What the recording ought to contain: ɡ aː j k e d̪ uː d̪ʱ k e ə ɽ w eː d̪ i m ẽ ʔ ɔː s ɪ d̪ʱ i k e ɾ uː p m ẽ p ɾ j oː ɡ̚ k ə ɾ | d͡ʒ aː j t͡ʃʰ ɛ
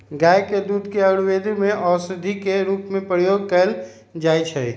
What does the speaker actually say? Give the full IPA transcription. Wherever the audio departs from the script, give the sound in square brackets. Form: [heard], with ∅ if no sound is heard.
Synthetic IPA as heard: ɡ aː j k e d̪ uː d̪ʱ k e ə ɽ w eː d̪ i m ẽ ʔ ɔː s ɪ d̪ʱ i k e ɾ uː p m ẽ p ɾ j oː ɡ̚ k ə [l] | d͡ʒ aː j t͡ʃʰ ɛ